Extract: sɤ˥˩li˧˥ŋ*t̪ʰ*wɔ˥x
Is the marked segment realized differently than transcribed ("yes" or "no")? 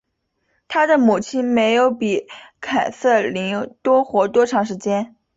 yes